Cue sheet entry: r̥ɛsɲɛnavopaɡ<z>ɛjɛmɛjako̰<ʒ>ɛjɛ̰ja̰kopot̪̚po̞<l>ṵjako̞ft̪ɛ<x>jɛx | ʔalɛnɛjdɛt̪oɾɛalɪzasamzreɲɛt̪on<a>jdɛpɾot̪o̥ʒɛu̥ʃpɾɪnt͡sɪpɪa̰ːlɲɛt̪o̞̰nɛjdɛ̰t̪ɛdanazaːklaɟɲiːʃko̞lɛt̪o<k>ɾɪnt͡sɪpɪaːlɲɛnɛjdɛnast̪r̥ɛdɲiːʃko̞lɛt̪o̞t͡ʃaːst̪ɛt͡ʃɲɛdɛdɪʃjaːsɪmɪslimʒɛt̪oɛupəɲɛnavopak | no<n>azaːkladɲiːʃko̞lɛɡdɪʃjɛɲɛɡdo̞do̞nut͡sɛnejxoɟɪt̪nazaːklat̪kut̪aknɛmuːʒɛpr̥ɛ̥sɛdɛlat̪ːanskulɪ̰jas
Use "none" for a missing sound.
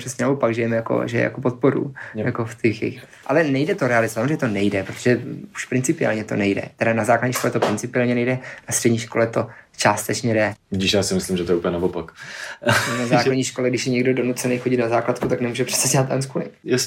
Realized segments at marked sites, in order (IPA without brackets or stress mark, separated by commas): ʒ, ʒ, ɾ, x, ɛ, p, n